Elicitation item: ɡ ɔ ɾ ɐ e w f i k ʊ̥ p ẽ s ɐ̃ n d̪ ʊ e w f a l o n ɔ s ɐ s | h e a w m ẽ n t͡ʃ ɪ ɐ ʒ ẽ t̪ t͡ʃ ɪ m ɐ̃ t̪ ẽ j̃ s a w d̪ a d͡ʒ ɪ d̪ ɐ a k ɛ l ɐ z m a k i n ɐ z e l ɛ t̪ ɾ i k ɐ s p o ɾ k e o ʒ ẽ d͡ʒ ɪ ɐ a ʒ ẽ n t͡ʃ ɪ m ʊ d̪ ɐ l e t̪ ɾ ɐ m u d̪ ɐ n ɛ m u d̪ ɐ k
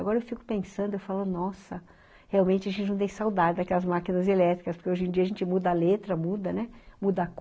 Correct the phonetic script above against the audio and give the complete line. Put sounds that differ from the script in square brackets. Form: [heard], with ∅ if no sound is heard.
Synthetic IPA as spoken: ɡ ɔ ɾ ɐ e w f i k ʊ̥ p ẽ s ɐ̃ n d̪ ʊ e w f a l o n ɔ s ɐ [∅] | h e a w m ẽ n t͡ʃ ɪ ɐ ʒ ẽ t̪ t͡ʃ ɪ [n] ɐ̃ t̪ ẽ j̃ s a w d̪ a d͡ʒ ɪ d̪ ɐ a k ɛ l ɐ z m a k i n ɐ z e l ɛ t̪ ɾ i k ɐ s p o ɾ k e o ʒ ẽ d͡ʒ [i] ɐ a ʒ ẽ n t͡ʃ ɪ m [u] d̪ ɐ l e t̪ ɾ ɐ m u d̪ ɐ n ɛ m u d̪ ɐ k